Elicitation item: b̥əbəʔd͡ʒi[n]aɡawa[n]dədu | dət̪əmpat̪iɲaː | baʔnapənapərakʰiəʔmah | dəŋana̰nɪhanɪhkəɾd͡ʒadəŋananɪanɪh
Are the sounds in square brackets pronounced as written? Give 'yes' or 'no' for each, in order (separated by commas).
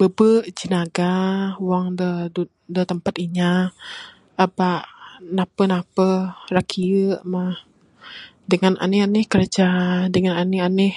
yes, no